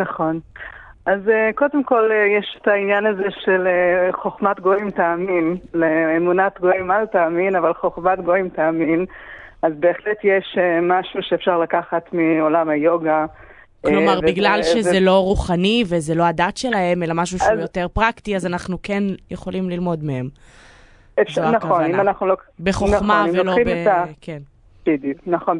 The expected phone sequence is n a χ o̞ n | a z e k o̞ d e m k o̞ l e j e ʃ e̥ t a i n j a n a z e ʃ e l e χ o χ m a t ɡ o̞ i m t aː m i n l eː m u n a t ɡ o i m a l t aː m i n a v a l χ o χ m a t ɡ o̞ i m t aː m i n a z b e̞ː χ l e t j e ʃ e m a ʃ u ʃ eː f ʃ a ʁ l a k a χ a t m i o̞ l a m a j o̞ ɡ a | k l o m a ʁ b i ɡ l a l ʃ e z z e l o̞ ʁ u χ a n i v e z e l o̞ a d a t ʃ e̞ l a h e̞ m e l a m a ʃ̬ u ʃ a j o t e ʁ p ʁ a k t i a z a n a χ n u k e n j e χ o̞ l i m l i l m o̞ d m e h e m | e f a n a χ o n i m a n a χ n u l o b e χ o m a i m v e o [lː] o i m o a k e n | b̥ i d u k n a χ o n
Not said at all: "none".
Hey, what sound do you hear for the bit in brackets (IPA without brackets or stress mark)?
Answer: l